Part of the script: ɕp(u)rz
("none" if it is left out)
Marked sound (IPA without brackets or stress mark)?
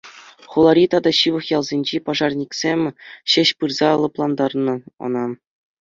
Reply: ɯ